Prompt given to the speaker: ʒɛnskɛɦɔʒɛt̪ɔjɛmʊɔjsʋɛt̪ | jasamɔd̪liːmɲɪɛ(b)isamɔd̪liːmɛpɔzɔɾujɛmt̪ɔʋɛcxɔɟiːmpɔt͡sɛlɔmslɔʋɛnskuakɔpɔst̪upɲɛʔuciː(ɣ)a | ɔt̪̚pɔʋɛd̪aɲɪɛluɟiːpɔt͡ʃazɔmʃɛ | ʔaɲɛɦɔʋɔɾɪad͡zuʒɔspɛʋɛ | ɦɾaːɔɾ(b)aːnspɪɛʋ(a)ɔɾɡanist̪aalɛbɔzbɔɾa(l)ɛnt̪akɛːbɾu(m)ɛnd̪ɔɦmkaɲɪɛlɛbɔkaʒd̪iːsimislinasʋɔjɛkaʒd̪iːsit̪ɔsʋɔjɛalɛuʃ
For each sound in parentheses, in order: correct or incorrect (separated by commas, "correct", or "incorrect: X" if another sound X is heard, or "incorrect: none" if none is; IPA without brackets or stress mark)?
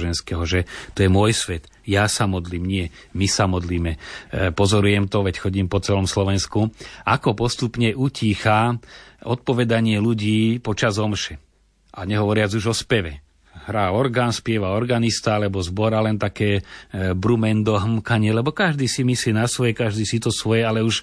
incorrect: m, incorrect: x, incorrect: ɡ, correct, correct, correct